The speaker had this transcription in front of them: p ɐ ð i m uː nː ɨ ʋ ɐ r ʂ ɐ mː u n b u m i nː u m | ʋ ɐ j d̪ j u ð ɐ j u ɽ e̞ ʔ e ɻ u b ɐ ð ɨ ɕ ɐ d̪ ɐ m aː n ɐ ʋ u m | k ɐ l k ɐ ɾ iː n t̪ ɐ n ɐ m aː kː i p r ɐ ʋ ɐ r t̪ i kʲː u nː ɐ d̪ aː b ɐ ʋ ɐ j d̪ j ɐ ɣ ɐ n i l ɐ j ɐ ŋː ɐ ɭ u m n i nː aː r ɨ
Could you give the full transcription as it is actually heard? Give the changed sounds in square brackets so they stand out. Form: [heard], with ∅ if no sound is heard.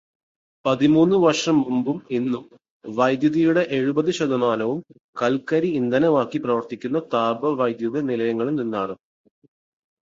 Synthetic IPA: p ɐ ð i m uː nː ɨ ʋ ɐ r ʂ ɐ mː u [m] b u m i nː u m | ʋ ɐ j d̪ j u ð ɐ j u ɽ e̞ ʔ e ɻ u b ɐ ð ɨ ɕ ɐ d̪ ɐ m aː n ɐ ʋ u m | k ɐ l k ɐ ɾ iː n [d̪] ɐ n ɐ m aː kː i p r ɐ ʋ ɐ r t̪ i kʲː u nː ɐ [t̪] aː b ɐ ʋ ɐ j d̪ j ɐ [ð] ɐ n i l ɐ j ɐ ŋː ɐ ɭ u m n i nː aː r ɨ